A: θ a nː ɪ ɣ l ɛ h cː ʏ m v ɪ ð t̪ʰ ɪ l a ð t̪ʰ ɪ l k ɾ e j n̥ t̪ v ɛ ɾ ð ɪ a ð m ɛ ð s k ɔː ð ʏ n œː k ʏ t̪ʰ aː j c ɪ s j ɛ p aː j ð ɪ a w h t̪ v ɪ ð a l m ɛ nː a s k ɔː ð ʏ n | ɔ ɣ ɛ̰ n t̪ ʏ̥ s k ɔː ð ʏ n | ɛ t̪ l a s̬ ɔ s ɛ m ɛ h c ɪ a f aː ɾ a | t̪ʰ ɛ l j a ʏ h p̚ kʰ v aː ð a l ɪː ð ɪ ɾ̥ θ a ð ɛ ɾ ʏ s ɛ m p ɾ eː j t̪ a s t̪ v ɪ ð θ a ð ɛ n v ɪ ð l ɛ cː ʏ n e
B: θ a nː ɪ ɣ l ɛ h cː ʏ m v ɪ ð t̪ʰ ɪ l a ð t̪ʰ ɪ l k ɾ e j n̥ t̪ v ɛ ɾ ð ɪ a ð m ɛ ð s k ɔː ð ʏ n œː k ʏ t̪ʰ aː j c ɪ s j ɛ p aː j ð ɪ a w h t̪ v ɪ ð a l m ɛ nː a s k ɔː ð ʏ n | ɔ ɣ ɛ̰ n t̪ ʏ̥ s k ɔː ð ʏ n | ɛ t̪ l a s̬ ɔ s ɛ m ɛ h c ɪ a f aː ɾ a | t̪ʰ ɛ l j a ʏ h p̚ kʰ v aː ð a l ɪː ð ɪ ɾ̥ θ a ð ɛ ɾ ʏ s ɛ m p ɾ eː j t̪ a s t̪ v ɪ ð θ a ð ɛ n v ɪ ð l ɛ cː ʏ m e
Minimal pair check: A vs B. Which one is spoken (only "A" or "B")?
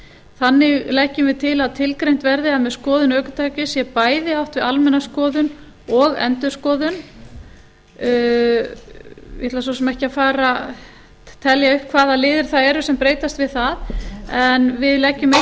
B